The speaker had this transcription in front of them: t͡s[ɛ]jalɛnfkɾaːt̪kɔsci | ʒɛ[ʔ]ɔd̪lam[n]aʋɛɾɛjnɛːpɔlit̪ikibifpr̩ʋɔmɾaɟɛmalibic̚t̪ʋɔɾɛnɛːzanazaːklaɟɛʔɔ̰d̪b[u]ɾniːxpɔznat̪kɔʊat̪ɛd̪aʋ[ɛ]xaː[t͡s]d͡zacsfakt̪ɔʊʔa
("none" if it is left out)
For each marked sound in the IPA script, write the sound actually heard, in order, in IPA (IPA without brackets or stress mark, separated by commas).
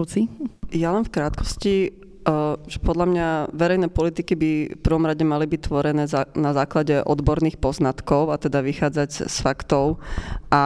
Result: i, p, ɲ, ɔ, i, none